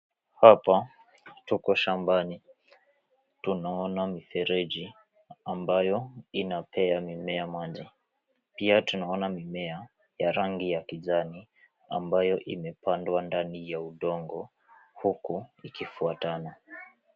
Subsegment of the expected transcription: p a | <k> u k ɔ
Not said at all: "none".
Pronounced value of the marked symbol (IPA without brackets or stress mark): t